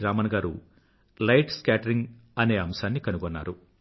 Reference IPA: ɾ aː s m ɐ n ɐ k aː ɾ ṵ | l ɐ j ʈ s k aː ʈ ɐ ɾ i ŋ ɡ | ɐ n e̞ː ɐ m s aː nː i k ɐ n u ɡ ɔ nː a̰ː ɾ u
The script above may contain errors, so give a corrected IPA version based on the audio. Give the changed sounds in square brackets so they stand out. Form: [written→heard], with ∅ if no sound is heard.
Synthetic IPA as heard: ɾ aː [s→∅] m ɐ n ɐ [k→ɡ] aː ɾ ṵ | l ɐ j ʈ s k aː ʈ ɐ ɾ i ŋ ɡ | ɐ n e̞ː ɐ m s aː nː i k ɐ n u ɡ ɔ nː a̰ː ɾ u